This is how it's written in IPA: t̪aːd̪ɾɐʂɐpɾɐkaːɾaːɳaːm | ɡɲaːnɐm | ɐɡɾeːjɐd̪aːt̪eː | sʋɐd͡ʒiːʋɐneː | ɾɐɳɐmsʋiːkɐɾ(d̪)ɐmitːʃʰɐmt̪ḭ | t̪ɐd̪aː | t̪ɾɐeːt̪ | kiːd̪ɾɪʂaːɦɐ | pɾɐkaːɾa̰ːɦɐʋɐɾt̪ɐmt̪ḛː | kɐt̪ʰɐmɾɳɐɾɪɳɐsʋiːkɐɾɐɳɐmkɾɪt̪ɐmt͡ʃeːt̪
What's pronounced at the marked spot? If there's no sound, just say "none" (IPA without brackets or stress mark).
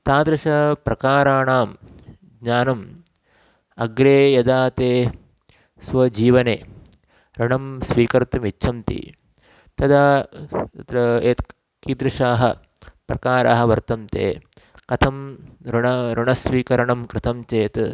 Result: t̪